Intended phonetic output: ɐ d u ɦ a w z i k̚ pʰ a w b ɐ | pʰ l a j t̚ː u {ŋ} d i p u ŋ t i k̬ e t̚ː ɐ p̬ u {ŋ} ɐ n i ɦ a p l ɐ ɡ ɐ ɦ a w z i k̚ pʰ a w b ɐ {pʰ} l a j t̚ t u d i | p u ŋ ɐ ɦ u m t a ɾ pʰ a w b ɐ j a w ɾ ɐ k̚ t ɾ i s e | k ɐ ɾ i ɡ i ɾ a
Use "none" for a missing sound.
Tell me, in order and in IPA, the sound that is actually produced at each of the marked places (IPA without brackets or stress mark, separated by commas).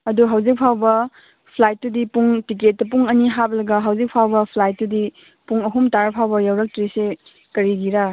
none, ŋ, pʰ